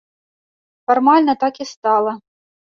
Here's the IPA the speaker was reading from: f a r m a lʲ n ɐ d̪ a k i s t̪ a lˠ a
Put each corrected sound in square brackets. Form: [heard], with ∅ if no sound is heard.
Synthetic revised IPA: f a r m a lʲ n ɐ [t̪] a k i s t̪ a lˠ [ɐ]